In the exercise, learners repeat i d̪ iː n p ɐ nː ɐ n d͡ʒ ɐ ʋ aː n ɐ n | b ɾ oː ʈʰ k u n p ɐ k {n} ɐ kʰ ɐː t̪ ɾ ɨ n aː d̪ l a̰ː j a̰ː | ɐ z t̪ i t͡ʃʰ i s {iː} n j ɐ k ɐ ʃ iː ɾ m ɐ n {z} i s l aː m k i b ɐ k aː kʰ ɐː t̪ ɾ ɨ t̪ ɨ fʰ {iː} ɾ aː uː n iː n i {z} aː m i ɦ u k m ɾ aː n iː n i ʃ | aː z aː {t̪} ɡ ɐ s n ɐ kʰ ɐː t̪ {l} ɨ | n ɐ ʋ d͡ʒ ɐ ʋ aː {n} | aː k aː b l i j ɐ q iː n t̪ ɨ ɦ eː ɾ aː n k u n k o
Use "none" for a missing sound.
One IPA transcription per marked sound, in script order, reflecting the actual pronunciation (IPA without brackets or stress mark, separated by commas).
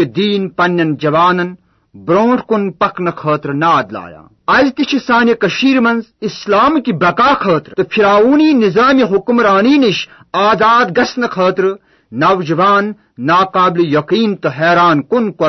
n, aː, z, i, z, d̪, ɾ, nː